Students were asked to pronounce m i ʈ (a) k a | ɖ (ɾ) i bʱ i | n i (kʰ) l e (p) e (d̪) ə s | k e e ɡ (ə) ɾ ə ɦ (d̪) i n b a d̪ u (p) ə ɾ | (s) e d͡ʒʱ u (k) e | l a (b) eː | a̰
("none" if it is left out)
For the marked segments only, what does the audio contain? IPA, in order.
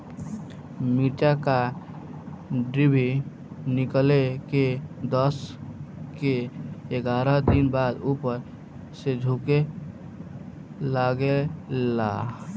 a, ɾ, k, k, d̪, a, d̪, p, s, k, ɡ

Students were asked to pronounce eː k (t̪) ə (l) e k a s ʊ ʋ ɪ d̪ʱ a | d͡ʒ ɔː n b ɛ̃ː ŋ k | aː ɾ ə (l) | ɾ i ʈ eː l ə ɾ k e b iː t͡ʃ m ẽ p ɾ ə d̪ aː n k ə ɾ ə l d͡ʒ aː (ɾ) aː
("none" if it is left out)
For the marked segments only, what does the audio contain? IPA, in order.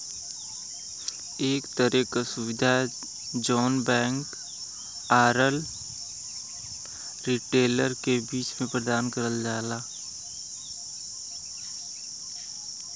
t̪, ɾ, l, l

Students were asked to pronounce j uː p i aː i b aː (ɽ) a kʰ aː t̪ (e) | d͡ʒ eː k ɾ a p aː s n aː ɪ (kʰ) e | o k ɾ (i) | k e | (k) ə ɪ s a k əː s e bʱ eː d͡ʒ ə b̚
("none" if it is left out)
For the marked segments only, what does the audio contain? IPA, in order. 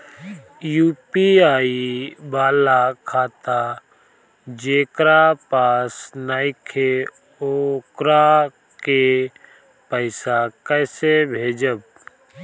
l, a, kʰ, a, p

